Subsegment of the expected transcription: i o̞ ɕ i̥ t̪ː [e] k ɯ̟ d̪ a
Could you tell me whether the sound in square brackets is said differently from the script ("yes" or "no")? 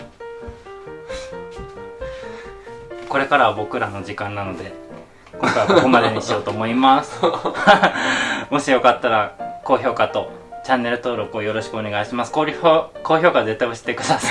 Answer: no